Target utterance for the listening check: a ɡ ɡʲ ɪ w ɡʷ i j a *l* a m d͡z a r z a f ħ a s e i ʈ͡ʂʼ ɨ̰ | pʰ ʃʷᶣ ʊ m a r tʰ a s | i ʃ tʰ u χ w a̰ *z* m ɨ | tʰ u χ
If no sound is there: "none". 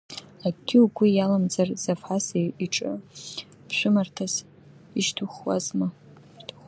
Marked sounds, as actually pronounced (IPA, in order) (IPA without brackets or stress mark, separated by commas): l, z